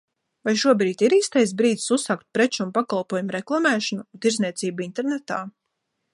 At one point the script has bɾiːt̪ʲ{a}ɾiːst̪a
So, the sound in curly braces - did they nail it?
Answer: no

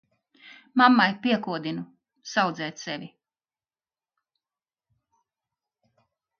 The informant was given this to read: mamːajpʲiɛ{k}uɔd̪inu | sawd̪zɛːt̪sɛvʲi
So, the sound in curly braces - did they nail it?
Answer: yes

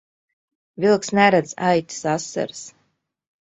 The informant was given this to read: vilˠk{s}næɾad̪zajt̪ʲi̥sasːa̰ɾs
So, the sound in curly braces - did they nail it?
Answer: yes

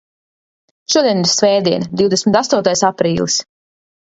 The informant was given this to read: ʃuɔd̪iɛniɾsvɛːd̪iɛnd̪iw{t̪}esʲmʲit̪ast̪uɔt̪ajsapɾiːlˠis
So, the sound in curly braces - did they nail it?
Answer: no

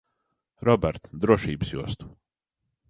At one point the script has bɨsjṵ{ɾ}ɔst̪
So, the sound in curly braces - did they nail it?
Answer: no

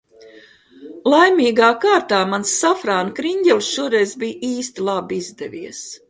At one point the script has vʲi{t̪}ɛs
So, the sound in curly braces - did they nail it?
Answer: no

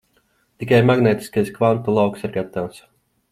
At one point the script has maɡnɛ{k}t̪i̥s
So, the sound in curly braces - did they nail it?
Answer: no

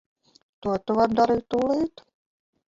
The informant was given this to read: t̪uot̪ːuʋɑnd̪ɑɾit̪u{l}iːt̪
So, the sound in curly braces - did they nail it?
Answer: yes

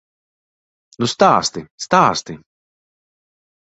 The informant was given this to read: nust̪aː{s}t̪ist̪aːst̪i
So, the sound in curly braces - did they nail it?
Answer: yes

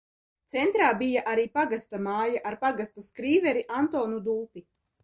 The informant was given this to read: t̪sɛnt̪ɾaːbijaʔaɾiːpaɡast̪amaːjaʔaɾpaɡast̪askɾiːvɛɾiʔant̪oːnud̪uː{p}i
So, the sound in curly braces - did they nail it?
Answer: yes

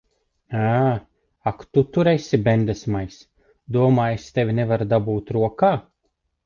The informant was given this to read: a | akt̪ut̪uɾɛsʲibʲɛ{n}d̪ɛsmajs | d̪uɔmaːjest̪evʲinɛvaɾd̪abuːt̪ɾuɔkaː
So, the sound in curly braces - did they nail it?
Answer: yes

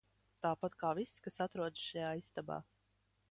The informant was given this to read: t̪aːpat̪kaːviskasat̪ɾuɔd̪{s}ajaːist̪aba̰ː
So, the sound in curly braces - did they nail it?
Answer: no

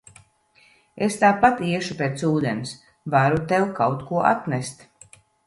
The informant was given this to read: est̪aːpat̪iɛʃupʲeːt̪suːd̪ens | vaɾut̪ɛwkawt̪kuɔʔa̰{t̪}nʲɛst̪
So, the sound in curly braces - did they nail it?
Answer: yes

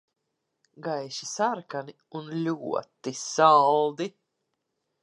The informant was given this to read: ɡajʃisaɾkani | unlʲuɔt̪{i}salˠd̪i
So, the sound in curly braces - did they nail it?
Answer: yes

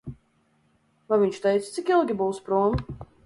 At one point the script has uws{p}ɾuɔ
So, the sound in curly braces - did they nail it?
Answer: yes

